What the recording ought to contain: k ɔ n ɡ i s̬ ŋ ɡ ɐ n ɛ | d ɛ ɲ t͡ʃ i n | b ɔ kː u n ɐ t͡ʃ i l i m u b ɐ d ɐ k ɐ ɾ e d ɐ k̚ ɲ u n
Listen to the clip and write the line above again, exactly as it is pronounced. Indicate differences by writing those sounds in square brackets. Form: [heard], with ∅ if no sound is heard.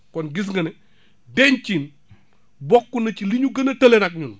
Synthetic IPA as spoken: k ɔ n ɡ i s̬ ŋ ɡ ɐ n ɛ | d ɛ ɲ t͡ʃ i n | b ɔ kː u n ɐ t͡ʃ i l i [ɲ] u [ɡ] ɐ [n] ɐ [t] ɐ [l] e [n] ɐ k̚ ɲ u n